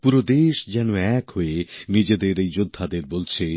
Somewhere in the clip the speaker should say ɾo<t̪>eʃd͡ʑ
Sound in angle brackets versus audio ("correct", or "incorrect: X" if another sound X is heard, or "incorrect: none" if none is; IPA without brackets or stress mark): incorrect: d̪